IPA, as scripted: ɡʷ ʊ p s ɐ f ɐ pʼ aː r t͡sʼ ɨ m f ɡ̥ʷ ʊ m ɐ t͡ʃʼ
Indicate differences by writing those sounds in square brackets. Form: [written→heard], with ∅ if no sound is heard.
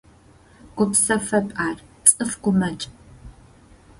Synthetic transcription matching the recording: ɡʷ ʊ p s ɐ f ɐ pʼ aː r t͡sʼ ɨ [m→∅] f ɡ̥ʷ ʊ m ɐ t͡ʃʼ